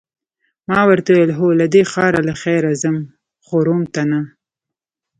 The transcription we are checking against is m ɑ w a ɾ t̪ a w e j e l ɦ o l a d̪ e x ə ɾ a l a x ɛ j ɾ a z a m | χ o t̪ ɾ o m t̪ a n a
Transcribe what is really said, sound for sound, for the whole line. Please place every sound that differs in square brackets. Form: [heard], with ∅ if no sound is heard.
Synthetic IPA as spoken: m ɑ w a ɾ t̪ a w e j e l ɦ o l a d̪ e x [ɑ] ɾ a l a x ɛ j ɾ a z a m | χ o [∅] ɾ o m t̪ a n a

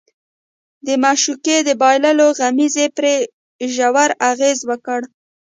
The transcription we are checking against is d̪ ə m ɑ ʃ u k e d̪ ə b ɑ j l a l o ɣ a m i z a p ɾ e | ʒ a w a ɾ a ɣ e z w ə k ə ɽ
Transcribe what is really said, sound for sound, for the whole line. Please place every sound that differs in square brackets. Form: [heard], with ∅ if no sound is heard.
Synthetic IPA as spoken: d̪ ə m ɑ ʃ u k e d̪ ə b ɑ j l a l o ɣ a m i z [e] p ɾ e | ʒ a w a ɾ a ɣ e z w ə k ə ɽ

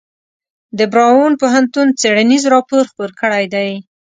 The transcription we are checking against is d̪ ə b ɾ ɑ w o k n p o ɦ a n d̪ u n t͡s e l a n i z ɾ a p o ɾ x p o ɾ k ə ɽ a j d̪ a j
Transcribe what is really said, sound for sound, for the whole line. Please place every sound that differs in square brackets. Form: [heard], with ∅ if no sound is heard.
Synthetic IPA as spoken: d̪ ə b ɾ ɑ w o [∅] n p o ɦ a n [t̪] u n t͡s e [ɽ] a n i z ɾ [ɑ] p o ɾ x p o ɾ k ə ɽ a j d̪ a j

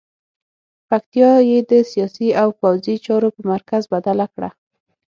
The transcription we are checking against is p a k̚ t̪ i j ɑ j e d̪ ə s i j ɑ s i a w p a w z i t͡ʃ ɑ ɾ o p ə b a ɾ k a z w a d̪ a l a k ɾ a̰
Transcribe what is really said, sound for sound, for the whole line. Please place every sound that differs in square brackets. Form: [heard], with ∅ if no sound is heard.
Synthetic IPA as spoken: p a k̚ t̪ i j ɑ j e d̪ ə s i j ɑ s i a w p a w z i t͡ʃ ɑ ɾ o p ə [m] a ɾ k a z [b] a d̪ a l a k [ɽ] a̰

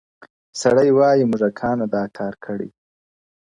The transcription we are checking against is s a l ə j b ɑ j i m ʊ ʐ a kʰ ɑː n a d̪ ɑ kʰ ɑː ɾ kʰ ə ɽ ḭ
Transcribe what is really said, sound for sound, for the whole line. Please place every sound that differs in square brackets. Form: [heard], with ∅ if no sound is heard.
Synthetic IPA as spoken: s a [ɽ] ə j [w] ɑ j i m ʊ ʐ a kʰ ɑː n a d̪ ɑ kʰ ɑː ɾ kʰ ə ɽ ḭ

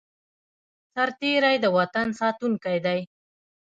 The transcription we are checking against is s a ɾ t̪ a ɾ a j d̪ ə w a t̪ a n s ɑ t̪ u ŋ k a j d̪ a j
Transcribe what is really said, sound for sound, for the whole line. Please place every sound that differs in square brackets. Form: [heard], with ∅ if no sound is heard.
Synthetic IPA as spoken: s a ɾ t̪ [e] ɾ a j d̪ ə w a t̪ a n s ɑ t̪ u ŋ k a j d̪ a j

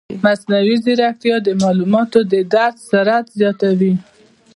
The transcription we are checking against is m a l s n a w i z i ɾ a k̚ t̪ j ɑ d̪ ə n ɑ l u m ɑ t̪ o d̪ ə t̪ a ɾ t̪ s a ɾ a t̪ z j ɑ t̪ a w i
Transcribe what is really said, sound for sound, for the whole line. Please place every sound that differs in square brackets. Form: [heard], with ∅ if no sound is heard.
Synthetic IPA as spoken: m a [∅] s n a w i z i ɾ a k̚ t̪ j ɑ d̪ ə [m] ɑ l u m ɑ t̪ o d̪ ə [d̪] a ɾ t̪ s a ɾ a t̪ z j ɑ t̪ a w i

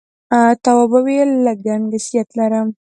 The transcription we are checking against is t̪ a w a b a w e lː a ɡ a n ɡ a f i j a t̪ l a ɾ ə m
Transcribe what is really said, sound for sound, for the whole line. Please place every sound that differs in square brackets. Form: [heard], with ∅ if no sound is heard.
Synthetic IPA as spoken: t̪ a w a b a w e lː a ɡ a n ɡ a [s] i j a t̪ l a ɾ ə m

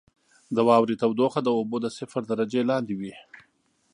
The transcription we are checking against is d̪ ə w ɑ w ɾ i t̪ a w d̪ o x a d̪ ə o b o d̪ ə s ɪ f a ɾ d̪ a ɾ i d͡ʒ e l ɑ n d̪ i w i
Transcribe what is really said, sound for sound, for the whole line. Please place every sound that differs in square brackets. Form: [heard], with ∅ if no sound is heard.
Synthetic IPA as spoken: d̪ ə w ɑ w ɾ i t̪ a w d̪ o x a d̪ ə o b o d̪ ə s ɪ f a ɾ d̪ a ɾ [a] d͡ʒ e l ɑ n d̪ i w i

